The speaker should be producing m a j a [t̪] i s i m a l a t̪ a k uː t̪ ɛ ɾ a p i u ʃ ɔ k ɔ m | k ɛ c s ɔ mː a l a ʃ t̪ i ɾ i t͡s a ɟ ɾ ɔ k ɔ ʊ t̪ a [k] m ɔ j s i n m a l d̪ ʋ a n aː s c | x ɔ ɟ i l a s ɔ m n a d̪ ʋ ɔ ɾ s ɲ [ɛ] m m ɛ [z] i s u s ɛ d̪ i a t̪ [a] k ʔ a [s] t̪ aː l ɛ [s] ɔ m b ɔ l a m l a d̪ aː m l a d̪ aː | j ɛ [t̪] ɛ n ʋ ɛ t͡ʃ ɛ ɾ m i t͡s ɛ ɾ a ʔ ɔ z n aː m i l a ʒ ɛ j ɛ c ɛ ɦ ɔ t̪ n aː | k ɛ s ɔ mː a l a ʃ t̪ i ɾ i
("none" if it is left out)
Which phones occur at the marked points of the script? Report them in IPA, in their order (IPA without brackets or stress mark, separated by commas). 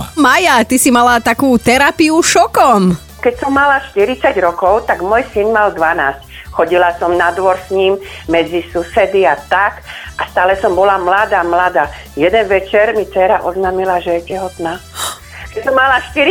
t̪, ɡ, i, d͡z, a, s, s, d̪